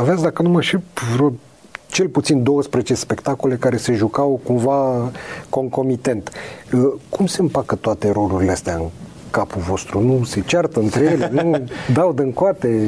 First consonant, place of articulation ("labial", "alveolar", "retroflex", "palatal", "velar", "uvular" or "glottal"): labial